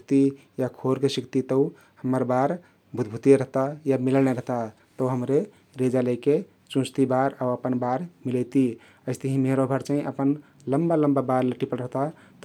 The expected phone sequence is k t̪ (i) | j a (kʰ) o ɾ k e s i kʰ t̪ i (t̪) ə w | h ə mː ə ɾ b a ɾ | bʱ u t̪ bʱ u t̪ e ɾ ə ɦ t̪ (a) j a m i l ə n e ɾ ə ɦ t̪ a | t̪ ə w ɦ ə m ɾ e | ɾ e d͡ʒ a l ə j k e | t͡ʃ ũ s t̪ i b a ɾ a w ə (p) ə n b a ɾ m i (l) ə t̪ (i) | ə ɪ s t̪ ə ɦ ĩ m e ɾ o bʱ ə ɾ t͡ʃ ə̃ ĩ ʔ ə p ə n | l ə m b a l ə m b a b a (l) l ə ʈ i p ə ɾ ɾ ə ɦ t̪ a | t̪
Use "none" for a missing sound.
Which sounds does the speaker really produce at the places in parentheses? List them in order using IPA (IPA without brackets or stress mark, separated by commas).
i, kʰ, t̪, a, p, l, i, ɾ